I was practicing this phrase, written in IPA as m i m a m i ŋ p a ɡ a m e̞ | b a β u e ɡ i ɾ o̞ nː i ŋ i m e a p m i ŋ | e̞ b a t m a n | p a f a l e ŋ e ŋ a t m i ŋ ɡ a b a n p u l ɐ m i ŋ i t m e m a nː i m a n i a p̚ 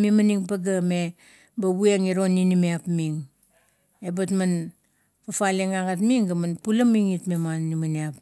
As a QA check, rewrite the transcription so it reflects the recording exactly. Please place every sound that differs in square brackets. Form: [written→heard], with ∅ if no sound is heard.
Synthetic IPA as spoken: m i m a [m→n] i ŋ p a ɡ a m e̞ | b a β u e [ɡ→ŋ] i ɾ o̞ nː i [ŋ→n] i m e a p m i ŋ | e̞ b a t m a n | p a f a l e ŋ [e→a] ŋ a t m i ŋ ɡ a [b→m] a n p u l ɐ m i ŋ i t m e m a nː i m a n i a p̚